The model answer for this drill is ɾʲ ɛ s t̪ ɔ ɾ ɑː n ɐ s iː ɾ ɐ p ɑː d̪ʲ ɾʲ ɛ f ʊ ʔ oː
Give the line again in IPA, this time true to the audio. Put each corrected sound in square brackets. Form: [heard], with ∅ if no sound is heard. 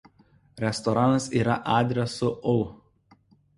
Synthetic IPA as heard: ɾʲ ɛ s t̪ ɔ ɾ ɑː n ɐ s iː ɾ ɐ [ʔ] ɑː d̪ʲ ɾʲ ɛ [s] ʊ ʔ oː